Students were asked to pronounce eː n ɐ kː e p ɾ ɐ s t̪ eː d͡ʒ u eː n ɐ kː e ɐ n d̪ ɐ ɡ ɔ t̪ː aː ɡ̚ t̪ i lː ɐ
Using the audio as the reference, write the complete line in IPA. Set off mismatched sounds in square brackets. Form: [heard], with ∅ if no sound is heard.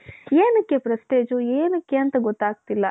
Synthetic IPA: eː n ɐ kː e p ɾ ɐ s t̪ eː d͡ʒ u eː n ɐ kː e ɐ n [t̪] ɐ ɡ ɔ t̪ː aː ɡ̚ t̪ i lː ɐ